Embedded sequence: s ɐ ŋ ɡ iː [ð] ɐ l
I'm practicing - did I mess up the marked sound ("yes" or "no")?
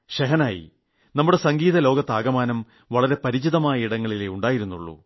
no